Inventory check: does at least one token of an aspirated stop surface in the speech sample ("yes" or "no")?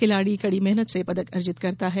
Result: no